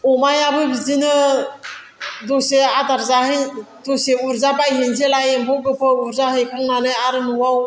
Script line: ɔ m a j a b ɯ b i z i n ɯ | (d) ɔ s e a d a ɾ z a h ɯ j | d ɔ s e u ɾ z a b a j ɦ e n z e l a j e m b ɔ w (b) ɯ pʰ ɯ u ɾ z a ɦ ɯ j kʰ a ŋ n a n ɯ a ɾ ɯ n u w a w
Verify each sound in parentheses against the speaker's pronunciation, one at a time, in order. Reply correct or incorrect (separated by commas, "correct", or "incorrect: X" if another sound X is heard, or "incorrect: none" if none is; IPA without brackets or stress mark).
correct, incorrect: ɡ